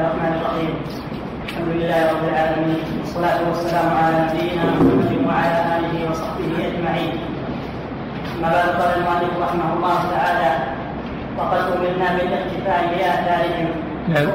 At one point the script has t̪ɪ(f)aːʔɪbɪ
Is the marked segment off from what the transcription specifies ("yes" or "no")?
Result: no